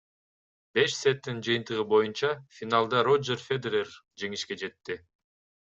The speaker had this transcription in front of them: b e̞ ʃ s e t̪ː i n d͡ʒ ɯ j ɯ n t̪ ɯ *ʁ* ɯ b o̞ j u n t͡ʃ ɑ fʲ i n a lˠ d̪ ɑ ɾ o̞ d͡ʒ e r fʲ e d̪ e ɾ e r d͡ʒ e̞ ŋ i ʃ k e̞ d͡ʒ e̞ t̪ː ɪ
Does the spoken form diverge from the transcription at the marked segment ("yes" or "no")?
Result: no